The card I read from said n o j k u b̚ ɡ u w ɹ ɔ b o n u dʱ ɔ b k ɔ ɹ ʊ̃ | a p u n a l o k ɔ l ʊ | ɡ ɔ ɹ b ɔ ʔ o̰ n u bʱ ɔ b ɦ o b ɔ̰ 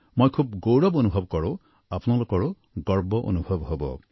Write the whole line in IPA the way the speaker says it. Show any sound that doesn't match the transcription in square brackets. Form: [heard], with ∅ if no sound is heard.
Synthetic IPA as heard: [m] o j [kʰ] u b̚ ɡ [o] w ɹ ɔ b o n u [bʱ] ɔ b k ɔ ɹ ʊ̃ | a p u n a l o k ɔ [ɹ] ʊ | ɡ ɔ ɹ b ɔ ʔ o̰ n u bʱ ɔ b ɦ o b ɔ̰